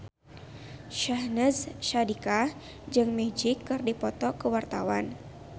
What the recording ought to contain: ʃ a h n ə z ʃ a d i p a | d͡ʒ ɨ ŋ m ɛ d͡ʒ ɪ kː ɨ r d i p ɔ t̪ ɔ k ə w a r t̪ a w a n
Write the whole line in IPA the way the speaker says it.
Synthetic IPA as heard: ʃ a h n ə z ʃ a d i k a | d͡ʒ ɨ ŋ m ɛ d͡ʒ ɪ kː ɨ r d i p ɔ t̪ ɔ k ə w a r t̪ a w a n